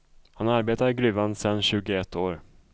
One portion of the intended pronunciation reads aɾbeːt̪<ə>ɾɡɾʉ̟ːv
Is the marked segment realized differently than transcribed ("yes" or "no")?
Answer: yes